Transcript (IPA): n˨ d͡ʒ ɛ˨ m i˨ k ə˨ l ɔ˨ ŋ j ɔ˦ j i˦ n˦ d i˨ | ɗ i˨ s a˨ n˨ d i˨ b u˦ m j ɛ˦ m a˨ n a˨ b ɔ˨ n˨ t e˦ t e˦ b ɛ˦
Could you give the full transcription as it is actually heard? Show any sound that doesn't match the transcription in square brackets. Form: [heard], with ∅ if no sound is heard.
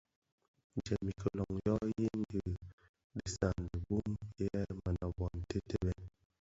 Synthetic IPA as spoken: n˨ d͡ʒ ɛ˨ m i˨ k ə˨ l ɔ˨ ŋ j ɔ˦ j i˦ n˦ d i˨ | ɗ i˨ s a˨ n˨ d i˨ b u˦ m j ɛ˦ m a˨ n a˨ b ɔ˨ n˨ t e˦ t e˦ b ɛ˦